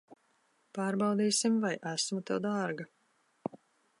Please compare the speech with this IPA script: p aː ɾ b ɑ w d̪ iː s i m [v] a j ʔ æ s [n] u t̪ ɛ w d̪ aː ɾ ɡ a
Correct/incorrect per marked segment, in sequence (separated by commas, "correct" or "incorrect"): correct, incorrect